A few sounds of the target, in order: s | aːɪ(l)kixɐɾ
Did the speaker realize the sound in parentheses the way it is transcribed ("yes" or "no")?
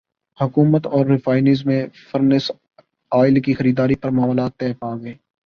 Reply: yes